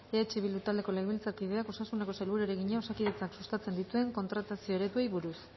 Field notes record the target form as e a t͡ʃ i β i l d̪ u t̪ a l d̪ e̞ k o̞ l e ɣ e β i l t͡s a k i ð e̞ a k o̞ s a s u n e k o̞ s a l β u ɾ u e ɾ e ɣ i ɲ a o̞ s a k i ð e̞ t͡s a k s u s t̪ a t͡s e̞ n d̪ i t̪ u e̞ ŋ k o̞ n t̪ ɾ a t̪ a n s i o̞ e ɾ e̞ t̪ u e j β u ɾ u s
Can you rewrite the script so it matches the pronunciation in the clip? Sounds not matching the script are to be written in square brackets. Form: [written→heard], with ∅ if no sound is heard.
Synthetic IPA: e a t͡ʃ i β i l d̪ u t̪ a l d̪ e̞ k o̞ l e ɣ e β i l t͡s a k i ð e̞ a k o̞ s a s u n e k o̞ s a l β u ɾ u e ɾ e ɣ i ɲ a o̞ s a k i ð e̞ t͡s a k s u s t̪ a t͡s e̞ n d̪ i t̪ u e̞ ŋ k o̞ n t̪ ɾ a t̪ a [n→∅] s i o̞ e ɾ e̞ t̪ u e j β u ɾ u s